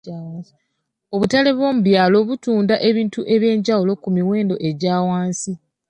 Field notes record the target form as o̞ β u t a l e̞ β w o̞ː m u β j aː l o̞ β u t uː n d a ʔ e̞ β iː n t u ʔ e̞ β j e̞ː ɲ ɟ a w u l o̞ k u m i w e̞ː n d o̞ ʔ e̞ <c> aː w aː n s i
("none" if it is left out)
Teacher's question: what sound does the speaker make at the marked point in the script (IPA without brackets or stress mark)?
ɟ